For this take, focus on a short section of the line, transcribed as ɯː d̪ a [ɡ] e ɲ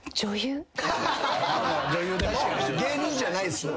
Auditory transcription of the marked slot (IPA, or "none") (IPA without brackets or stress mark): ɡ